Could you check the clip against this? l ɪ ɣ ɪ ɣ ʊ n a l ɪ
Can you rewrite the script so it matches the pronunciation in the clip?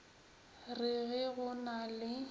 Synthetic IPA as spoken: r ɪ ɣ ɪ ɣ ʊ n a l ɪ